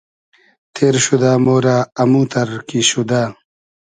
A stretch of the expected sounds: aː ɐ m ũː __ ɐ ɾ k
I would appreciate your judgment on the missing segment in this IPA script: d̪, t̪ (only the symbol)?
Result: t̪